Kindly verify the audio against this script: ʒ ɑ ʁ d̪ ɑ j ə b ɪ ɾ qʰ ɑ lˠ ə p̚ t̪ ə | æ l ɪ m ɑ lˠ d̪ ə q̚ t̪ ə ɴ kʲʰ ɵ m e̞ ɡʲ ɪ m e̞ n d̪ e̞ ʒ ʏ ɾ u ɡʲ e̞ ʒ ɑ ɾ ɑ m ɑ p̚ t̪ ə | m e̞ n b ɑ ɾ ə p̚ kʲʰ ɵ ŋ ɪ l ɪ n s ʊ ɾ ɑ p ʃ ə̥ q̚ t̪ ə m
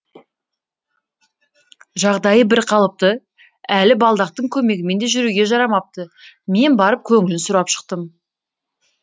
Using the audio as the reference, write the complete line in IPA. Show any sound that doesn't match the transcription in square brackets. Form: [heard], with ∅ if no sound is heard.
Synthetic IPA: ʒ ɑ ʁ d̪ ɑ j ə b ɪ ɾ qʰ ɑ lˠ ə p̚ t̪ ə | æ l ɪ [b] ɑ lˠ d̪ [ɑ] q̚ t̪ ə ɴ kʲʰ ɵ m e̞ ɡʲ ɪ m e̞ n d̪ e̞ ʒ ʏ ɾ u ɡʲ e̞ ʒ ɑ ɾ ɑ m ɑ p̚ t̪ ə | m e̞ n b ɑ ɾ ə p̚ kʲʰ ɵ ŋ ɪ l ɪ n s ʊ ɾ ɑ p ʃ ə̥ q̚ t̪ ə m

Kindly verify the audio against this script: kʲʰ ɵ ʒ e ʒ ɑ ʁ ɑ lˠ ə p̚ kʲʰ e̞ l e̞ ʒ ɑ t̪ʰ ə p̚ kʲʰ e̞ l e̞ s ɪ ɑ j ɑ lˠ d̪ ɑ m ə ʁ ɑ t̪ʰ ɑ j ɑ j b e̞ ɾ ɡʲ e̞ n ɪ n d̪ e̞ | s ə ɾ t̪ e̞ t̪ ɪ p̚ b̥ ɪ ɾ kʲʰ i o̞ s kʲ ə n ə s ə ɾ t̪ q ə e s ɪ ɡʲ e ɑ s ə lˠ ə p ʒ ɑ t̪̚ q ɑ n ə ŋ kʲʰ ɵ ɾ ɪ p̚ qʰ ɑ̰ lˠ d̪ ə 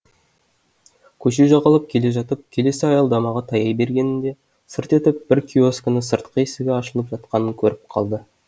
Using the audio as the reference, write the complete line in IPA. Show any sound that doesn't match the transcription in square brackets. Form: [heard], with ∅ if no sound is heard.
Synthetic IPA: kʲʰ ɵ [ʃ] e ʒ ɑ ʁ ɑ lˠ ə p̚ kʲʰ e̞ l e̞ ʒ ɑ [t̪] ə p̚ kʲʰ e̞ l e̞ s ɪ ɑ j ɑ lˠ d̪ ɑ m [ɑ] ʁ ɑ t̪ʰ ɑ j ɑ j b e̞ ɾ ɡʲ e̞ n ɪ n d̪ e̞ | s ə ɾ t̪ e̞ t̪ ɪ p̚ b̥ ɪ ɾ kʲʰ i o̞ s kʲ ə n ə s ə ɾ t̪ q ə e s ɪ ɡʲ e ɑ [ʃ] ə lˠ ə p ʒ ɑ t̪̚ q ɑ n ə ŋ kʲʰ ɵ ɾ ɪ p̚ qʰ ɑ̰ lˠ d̪ ə

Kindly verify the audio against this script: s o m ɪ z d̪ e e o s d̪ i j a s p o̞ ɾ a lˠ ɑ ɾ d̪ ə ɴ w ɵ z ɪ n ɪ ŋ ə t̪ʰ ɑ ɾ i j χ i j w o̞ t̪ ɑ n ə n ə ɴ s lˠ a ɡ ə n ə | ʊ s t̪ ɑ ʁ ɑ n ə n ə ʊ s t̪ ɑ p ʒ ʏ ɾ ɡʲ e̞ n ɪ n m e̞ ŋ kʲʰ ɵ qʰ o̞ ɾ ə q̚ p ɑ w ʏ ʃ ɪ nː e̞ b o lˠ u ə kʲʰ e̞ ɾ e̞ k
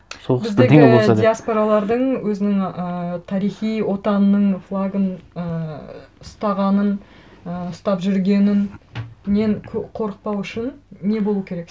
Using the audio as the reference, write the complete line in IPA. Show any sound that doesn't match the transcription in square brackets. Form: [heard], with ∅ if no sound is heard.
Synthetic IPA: s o [b] ɪ z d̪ e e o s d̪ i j a s p o̞ ɾ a lˠ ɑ ɾ d̪ ə ɴ w ɵ z ɪ n ɪ ŋ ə t̪ʰ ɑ ɾ i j χ i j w o̞ t̪ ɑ n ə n ə ɴ [f] lˠ a ɡ ə n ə | ʊ s t̪ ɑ ʁ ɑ n ə n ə ʊ s t̪ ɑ p ʒ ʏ ɾ ɡʲ e̞ n ɪ n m e̞ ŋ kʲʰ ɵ qʰ o̞ ɾ ə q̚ p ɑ w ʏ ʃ ɪ nː e̞ b o lˠ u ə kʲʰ e̞ ɾ e̞ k

